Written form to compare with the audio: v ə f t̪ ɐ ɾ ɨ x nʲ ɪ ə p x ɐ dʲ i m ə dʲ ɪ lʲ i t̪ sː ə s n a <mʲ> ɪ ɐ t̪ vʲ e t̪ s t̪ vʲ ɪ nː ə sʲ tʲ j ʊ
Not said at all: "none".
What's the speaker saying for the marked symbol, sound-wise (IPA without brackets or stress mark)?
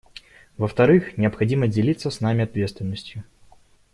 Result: mʲ